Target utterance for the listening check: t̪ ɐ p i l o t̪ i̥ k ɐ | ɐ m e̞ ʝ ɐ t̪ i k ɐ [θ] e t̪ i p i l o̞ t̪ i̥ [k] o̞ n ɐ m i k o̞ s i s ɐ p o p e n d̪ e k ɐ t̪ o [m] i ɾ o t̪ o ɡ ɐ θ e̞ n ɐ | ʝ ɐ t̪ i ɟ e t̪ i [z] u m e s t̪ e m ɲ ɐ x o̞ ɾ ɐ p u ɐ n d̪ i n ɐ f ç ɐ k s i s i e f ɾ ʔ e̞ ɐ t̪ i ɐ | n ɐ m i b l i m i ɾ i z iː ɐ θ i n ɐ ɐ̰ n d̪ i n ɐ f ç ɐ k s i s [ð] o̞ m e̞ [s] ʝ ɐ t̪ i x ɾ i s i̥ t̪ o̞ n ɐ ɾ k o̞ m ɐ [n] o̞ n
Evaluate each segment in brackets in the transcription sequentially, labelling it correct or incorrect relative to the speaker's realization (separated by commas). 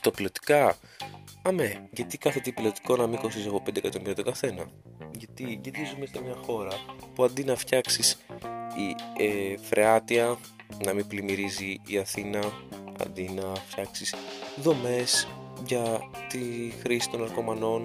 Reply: correct, correct, correct, correct, correct, correct, correct